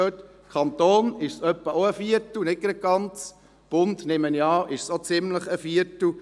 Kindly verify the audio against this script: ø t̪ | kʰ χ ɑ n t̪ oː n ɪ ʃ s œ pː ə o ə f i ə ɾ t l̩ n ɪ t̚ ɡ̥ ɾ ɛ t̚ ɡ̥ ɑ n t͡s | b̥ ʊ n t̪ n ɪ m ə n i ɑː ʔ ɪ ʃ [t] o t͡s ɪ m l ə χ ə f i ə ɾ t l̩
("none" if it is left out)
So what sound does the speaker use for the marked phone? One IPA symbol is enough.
s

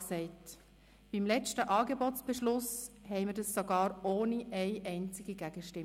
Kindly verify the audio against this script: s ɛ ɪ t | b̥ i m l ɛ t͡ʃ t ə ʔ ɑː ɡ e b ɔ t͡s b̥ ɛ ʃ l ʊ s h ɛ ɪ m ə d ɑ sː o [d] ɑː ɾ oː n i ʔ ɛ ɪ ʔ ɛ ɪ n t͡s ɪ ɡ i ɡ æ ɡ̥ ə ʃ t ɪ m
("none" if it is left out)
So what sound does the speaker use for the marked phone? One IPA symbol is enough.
ɡ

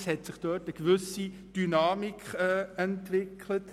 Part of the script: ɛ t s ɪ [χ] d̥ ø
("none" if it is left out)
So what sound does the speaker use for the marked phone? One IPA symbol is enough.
χ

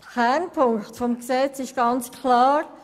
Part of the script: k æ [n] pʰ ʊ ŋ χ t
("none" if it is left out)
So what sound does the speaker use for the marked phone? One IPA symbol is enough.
n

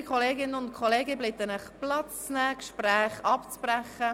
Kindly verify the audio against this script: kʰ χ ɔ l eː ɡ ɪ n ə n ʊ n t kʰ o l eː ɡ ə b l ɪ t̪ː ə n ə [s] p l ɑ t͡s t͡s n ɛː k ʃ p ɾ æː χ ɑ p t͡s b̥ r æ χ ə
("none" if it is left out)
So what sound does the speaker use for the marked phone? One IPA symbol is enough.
χ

